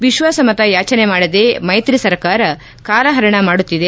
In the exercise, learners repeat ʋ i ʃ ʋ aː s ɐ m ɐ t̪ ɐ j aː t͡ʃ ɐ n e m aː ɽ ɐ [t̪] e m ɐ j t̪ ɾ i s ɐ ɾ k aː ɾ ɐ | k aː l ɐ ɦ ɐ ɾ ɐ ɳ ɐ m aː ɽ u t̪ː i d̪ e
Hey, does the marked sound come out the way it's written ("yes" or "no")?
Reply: no